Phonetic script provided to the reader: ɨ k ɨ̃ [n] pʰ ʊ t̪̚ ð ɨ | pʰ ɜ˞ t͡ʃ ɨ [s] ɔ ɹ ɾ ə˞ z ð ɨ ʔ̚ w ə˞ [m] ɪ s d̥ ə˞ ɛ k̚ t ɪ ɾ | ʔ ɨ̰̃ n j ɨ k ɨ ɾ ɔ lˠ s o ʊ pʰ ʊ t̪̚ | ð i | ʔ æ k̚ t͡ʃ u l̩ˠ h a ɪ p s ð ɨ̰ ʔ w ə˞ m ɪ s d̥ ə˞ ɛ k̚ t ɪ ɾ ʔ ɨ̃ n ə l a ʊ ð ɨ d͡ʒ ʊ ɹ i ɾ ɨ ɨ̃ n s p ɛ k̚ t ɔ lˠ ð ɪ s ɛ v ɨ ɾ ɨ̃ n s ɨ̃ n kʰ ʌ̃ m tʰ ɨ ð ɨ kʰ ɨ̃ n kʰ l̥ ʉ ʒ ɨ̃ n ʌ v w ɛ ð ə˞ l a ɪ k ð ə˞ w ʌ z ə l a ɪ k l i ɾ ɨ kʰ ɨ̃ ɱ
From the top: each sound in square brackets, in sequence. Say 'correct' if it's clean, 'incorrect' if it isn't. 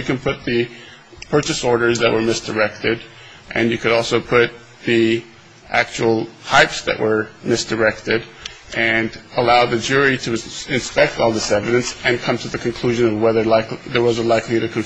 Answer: correct, correct, correct

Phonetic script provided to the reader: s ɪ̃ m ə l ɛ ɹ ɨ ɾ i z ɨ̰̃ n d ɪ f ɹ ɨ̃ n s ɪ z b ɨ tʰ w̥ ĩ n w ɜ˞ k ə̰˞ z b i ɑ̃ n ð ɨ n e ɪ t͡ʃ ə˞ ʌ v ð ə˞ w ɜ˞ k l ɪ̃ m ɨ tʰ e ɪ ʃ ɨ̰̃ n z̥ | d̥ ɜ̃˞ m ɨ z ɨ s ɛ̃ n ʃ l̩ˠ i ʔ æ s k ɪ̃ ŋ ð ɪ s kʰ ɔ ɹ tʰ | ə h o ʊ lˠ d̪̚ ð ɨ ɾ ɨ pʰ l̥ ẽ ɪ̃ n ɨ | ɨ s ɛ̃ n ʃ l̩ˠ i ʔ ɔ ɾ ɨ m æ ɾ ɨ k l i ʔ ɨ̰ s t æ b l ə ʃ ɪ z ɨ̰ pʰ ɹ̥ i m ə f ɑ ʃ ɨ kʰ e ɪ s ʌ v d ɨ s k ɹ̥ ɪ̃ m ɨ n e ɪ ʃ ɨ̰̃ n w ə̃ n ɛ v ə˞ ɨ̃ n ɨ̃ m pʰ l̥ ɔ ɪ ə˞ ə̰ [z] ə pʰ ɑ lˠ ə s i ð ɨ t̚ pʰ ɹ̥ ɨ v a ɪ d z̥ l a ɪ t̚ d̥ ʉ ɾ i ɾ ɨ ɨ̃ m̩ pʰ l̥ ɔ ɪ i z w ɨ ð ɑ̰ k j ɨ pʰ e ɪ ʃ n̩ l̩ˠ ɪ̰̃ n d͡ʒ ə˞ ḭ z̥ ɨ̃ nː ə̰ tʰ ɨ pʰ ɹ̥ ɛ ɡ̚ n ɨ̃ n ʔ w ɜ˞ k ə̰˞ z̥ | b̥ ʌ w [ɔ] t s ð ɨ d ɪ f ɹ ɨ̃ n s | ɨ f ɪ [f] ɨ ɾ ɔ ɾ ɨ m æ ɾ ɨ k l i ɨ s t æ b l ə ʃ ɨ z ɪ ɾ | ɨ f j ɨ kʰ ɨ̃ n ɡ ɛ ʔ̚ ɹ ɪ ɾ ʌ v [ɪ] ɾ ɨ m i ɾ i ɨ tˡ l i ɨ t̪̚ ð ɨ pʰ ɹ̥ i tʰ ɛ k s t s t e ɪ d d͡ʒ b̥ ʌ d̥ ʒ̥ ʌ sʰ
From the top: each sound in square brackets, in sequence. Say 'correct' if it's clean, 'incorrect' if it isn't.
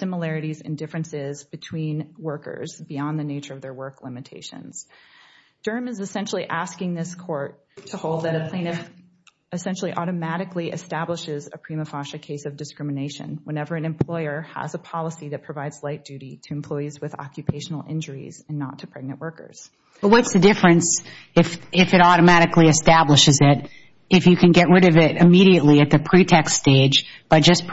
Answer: correct, incorrect: ʌ, correct, correct

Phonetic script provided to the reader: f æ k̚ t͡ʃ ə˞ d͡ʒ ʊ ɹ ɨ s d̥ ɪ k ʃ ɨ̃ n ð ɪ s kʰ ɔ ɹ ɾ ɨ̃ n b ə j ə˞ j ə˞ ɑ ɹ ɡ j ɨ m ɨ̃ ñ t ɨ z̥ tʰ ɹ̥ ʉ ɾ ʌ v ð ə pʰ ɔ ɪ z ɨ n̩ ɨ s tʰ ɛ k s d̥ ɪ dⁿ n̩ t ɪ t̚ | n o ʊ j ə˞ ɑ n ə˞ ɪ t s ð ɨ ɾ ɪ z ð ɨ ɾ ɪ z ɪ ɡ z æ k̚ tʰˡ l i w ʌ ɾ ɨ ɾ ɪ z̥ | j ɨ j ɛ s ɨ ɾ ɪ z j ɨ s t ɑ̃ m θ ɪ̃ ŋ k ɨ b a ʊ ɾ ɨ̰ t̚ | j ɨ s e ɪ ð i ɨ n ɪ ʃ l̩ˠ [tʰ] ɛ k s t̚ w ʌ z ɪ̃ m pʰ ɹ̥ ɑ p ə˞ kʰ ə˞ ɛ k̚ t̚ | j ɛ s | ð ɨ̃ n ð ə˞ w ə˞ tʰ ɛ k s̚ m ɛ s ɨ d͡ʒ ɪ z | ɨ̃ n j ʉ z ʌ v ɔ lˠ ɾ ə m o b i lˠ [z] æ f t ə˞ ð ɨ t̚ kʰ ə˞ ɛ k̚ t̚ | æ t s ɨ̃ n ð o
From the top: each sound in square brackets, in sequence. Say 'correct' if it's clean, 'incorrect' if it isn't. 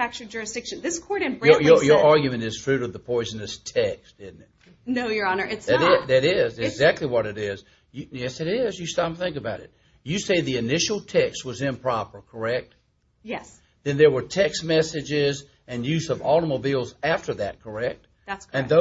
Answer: correct, correct

